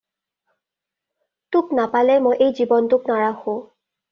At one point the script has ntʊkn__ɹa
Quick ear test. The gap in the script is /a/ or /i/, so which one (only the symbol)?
a